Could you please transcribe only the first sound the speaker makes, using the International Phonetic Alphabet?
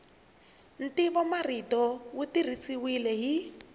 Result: n̩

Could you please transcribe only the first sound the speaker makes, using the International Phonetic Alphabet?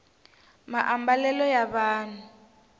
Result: m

